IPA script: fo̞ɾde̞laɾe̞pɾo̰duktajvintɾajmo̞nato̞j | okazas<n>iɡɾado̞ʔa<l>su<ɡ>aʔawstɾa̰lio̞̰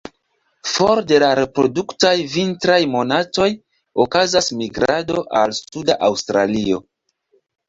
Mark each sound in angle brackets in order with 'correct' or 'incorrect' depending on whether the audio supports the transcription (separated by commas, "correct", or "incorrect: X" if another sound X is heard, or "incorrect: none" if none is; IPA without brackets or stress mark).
incorrect: m, correct, incorrect: d